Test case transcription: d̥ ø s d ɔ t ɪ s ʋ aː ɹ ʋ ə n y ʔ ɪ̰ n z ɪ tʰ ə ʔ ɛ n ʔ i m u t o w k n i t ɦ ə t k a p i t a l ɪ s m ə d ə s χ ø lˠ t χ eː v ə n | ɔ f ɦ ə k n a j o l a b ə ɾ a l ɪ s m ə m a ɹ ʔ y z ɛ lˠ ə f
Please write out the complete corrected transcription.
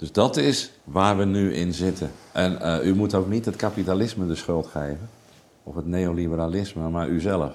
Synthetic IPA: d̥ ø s d ɔ t ɪ s ʋ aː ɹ ʋ ə n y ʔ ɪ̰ n z ɪ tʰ ə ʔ ɛ n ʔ y m u t o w k n i t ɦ ə t k a p i t a l ɪ s m ə d ə s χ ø lˠ t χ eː v ə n | ɔ f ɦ ə t n e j o l i b ə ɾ a l ɪ s m ə m a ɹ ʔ y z ɛ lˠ ə f